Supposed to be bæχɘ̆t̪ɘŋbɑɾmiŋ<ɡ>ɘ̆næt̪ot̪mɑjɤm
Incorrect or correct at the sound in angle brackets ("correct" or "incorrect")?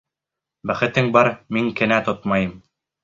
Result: incorrect